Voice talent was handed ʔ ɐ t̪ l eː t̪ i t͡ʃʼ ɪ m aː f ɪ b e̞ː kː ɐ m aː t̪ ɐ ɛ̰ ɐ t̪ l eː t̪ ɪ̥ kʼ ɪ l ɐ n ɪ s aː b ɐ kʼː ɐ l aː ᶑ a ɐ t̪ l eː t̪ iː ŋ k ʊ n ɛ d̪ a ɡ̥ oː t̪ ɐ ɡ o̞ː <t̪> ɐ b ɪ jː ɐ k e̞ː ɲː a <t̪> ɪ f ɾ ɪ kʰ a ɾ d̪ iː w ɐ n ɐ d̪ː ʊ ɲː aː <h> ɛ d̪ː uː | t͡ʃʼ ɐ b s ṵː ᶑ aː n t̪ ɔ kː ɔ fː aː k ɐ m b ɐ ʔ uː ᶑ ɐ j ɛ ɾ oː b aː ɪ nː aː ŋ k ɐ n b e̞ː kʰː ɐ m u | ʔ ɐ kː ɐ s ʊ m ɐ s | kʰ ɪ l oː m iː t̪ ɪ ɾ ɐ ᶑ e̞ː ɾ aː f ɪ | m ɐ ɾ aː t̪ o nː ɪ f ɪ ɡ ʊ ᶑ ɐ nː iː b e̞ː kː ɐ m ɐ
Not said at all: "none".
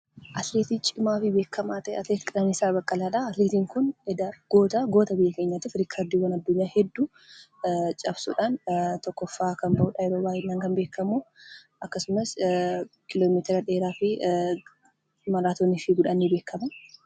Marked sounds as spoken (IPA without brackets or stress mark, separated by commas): t̪, t̪, h